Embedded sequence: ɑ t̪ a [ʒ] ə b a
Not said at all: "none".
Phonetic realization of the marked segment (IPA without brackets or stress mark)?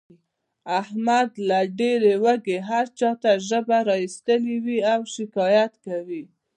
ʒ